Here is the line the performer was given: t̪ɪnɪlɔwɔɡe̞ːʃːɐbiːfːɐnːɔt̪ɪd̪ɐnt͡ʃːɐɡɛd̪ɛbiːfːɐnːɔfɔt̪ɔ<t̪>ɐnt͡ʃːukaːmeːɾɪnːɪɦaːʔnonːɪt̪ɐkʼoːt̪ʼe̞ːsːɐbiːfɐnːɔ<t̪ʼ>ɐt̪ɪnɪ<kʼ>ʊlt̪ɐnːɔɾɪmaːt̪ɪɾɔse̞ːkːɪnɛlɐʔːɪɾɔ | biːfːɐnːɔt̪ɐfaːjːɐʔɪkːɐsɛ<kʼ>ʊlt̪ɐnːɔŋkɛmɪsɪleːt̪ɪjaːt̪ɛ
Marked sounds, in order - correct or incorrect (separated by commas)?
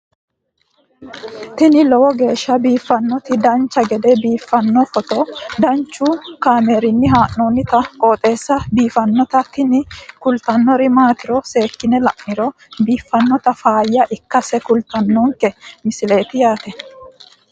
incorrect, incorrect, incorrect, incorrect